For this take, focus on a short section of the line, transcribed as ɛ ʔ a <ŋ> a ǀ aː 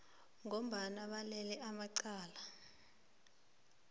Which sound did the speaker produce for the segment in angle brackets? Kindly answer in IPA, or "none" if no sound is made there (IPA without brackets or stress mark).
m